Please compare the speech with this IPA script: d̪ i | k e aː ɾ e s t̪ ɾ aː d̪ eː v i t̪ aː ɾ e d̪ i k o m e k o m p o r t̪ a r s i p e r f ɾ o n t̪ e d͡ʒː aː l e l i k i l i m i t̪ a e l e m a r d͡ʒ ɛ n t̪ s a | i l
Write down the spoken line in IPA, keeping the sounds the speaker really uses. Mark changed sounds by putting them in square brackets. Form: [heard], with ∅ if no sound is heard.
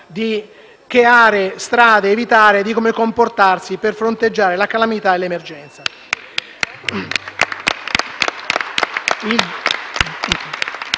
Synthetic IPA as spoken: d̪ i | k e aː ɾ e s t̪ ɾ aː d̪ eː v i t̪ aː ɾ e d̪ i k o m e k o m p o r t̪ a r s i p e r f ɾ o n t̪ e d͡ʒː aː [ɾ] e l [a] k [a] l [a] m i t̪ a e l e m [e] r d͡ʒ ɛ n t̪ s a | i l